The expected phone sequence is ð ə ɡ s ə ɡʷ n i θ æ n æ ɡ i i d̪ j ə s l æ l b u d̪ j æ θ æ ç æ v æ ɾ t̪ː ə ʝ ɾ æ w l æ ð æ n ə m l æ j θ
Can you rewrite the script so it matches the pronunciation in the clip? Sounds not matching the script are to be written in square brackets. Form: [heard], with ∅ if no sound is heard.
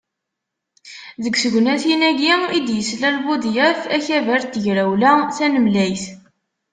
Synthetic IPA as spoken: ð ə ɡ s ə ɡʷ n [æ] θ [i] n æ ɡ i i d̪ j ə s l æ l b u d̪ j æ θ æ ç æ v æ ɾ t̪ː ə ʝ ɾ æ w l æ [θ] æ n ə m l æ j θ